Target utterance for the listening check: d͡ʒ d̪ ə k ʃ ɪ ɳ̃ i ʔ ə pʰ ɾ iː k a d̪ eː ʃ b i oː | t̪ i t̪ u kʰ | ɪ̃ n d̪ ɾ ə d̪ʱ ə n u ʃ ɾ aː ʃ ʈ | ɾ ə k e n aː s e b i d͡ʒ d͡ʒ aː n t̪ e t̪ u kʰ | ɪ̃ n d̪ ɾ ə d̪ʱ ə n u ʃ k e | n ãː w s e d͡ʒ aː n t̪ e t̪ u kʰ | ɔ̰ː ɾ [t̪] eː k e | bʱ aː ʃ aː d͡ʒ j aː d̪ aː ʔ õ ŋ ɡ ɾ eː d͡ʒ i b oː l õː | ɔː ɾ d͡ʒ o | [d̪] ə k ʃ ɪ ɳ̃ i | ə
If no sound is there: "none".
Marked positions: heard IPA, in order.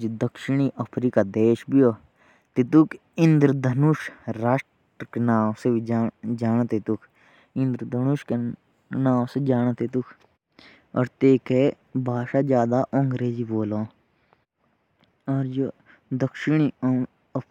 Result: t̪, d̪

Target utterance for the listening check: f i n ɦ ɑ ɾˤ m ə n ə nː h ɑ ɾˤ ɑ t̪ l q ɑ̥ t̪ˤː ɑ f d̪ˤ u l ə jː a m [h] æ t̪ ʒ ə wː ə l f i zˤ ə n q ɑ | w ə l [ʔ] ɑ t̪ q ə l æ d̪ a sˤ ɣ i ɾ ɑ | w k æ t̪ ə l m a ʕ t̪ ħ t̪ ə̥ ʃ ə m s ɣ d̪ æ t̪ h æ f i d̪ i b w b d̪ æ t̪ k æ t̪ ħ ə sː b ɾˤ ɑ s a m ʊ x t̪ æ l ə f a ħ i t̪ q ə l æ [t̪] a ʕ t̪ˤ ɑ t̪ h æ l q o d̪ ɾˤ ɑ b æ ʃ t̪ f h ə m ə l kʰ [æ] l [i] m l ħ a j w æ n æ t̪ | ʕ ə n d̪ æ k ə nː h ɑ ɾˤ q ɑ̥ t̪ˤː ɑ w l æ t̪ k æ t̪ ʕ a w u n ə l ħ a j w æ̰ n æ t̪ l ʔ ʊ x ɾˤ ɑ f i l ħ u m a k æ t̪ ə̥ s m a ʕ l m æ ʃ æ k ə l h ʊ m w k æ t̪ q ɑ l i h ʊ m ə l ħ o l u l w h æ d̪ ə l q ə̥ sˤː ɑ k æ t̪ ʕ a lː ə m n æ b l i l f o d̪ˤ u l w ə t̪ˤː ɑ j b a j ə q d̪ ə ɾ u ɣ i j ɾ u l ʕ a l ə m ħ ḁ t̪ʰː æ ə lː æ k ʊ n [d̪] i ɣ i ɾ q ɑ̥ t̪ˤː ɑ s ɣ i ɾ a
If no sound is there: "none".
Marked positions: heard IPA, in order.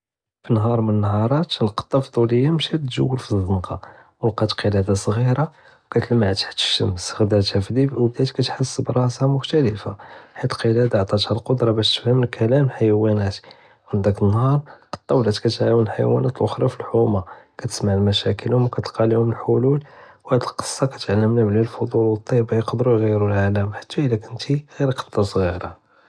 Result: ʃ, q, d̪, æ, æ, t̪

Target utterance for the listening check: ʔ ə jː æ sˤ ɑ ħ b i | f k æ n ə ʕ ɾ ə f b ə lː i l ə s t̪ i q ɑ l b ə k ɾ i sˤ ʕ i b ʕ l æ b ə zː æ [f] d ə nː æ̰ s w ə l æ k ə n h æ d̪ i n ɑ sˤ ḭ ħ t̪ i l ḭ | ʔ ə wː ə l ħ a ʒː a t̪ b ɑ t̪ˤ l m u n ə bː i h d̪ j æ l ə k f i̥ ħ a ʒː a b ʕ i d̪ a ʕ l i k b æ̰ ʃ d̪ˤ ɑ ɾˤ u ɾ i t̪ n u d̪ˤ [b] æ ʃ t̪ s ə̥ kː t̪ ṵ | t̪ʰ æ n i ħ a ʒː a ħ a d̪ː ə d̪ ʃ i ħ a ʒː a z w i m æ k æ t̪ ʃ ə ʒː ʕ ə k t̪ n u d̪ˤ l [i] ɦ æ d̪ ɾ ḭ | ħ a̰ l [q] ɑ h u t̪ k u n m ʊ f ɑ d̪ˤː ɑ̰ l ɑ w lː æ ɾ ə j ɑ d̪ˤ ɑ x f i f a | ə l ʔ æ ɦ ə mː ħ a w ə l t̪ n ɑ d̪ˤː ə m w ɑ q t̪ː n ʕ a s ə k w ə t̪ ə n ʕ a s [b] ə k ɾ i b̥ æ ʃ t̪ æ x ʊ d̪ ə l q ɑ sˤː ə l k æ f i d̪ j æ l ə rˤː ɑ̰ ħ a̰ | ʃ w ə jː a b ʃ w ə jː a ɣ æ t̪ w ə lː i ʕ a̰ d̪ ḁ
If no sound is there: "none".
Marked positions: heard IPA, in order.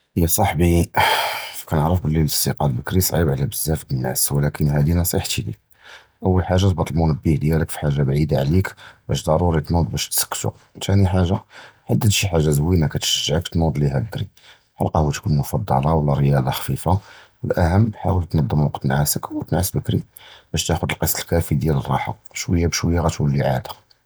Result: f, b, i, q, b

